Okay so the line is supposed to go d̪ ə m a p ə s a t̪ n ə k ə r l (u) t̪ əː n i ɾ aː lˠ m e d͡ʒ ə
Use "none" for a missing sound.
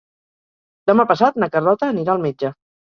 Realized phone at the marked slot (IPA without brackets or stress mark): ɔ